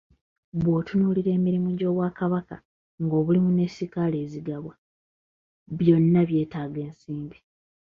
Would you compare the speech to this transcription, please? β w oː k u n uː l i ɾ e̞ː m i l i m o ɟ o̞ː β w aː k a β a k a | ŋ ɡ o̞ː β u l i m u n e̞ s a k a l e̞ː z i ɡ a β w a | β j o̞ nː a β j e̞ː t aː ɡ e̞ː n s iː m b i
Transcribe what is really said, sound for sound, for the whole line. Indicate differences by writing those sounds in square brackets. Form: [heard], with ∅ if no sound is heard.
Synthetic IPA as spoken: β w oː [t] u n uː l i ɾ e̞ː m i [ɾ] i m [u] ɟ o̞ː β w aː k a β a k a | ŋ ɡ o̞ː β u l i m u n e̞ s [i] k a l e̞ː z i ɡ a β w a | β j o̞ nː a β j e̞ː t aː ɡ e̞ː n s iː m b i